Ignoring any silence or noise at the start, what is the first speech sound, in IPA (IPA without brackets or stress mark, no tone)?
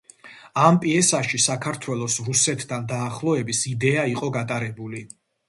a